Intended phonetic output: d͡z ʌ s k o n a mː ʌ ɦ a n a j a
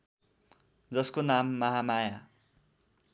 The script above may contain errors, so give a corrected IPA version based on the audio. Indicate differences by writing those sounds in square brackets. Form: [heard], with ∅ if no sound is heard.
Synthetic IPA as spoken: d͡z ʌ s k o n a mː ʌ ɦ a [m] a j a